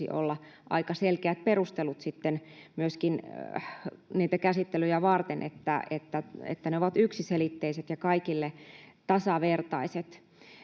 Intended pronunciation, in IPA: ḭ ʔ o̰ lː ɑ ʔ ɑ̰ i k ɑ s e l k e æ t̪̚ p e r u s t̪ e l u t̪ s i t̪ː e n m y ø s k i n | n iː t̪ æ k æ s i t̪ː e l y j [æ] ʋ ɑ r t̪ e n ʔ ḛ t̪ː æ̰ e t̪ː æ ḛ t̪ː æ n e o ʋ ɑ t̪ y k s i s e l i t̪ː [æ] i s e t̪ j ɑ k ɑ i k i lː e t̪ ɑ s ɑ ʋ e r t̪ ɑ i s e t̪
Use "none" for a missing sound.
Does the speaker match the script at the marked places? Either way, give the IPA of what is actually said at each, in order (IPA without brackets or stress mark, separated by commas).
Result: æ, e